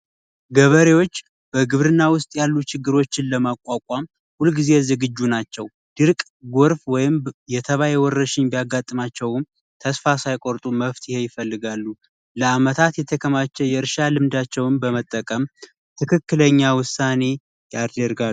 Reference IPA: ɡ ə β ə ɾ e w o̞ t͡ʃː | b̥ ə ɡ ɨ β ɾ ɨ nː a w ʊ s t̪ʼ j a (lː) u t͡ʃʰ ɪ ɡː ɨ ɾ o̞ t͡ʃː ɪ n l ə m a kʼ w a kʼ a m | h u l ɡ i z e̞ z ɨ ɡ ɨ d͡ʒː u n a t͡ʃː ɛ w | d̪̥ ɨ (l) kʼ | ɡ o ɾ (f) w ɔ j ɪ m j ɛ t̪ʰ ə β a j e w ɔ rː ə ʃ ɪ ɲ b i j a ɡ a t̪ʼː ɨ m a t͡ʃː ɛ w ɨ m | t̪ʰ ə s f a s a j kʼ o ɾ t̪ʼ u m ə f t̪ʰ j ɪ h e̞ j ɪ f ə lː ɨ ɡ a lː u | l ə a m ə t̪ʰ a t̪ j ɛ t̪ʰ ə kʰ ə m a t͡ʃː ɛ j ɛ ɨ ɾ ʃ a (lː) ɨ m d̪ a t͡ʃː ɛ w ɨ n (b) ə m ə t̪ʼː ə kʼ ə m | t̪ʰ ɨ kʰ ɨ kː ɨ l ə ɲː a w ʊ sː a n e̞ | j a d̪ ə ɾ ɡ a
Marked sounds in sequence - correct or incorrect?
correct, incorrect: ɾ, correct, incorrect: l, correct

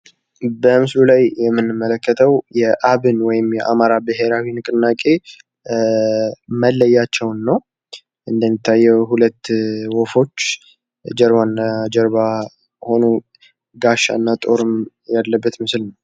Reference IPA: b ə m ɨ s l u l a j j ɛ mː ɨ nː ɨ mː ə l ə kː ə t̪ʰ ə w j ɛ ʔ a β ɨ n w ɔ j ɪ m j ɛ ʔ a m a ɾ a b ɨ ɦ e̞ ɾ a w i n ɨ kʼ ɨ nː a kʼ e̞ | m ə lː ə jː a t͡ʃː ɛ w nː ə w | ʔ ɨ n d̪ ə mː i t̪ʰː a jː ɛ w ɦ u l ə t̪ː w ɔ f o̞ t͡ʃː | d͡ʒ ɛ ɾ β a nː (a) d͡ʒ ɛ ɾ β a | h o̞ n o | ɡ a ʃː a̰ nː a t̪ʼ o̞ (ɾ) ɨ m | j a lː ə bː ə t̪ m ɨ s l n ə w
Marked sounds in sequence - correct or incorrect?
correct, correct

